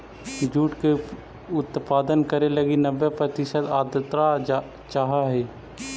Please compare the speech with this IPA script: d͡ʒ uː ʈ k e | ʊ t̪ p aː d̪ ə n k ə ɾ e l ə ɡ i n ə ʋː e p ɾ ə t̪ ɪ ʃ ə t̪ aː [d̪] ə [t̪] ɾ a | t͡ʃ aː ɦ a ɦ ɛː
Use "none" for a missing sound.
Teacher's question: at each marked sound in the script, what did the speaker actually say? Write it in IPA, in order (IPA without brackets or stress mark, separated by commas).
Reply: d̪, t̪